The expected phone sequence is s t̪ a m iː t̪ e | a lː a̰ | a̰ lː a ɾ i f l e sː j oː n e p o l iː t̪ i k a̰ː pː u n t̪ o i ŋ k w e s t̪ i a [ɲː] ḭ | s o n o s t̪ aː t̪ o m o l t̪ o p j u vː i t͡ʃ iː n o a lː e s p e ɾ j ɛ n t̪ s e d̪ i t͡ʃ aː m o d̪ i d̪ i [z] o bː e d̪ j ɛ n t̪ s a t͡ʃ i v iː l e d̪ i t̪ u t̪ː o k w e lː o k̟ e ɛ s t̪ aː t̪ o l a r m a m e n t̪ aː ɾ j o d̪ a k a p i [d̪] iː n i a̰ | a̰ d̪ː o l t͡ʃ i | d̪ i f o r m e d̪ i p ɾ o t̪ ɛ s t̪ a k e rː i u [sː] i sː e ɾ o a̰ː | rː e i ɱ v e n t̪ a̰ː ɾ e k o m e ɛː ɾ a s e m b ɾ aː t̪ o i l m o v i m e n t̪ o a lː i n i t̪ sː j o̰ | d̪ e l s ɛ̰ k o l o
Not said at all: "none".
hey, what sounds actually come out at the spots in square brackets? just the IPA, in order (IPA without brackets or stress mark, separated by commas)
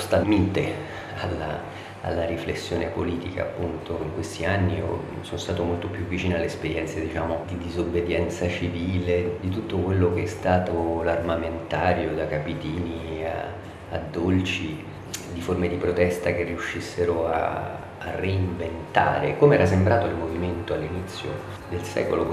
nː, z, t̪, ʃː